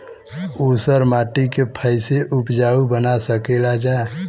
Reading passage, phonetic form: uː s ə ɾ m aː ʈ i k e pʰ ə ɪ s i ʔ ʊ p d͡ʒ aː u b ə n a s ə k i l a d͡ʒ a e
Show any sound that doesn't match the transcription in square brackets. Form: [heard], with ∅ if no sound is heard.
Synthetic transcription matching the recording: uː s ə ɾ m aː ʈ i k e pʰ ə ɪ s [e] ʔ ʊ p d͡ʒ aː u b ə n a s ə k [e] l a d͡ʒ a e